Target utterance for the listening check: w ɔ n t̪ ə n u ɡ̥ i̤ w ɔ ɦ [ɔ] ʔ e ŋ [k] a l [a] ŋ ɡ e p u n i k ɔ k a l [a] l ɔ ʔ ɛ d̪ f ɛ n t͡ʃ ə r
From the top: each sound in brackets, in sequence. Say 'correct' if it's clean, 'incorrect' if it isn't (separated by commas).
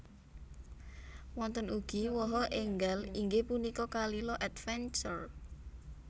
correct, incorrect, incorrect, incorrect